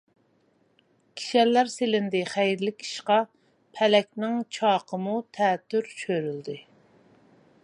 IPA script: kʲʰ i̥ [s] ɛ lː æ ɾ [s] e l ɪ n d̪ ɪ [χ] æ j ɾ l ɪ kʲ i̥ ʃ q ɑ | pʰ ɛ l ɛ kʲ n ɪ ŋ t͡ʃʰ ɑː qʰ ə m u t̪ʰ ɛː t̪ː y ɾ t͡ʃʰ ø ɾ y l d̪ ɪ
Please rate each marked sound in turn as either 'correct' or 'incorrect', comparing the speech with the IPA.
incorrect, correct, correct

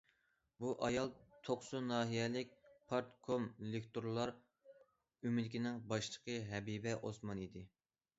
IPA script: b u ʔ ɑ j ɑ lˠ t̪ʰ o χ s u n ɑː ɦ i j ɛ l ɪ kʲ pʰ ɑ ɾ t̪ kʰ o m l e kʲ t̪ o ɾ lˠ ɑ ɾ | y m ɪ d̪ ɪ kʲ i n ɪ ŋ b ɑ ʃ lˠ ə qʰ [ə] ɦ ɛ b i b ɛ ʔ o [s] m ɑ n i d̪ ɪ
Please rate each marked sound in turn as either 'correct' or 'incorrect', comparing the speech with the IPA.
correct, correct

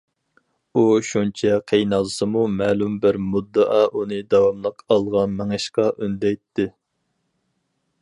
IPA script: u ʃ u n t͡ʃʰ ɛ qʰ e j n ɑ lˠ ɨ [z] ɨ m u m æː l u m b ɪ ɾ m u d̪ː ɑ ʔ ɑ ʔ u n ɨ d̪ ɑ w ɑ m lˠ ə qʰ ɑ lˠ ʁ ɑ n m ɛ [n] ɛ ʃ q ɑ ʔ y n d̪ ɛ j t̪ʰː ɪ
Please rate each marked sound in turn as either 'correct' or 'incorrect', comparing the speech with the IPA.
incorrect, incorrect

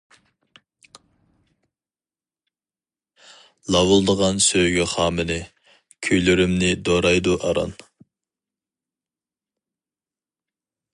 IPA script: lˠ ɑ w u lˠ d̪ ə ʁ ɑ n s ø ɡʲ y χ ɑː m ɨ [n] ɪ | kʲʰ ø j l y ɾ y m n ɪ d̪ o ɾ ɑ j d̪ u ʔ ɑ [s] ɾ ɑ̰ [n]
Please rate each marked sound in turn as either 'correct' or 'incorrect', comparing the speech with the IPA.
correct, incorrect, correct

